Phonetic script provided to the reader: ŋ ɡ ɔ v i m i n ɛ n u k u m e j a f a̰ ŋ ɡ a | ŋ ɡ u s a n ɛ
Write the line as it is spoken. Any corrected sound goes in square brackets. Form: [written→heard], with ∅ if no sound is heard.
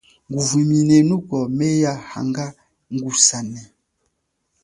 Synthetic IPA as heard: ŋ ɡ [ɔ→u] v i m i n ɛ n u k [u→ɔ] m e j a [f→h] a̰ ŋ ɡ a | ŋ ɡ u s a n ɛ